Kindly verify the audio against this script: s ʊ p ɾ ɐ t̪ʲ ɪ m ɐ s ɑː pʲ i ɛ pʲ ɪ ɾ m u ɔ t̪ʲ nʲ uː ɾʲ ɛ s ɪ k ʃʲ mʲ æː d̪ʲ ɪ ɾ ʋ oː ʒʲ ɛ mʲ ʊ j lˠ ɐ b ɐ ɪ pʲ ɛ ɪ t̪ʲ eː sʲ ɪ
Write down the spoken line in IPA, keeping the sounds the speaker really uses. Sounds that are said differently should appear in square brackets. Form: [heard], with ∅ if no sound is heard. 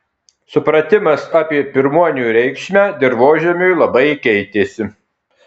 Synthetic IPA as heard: s ʊ p ɾ ɐ t̪ʲ ɪ m ɐ s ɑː pʲ i ɛ pʲ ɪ ɾ m u ɔ [∅] nʲ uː ɾʲ ɛ [∅] ɪ k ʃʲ mʲ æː d̪ʲ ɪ ɾ ʋ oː ʒʲ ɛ mʲ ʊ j lˠ ɐ b ɐ ɪ [kʲ] ɛ ɪ t̪ʲ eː sʲ ɪ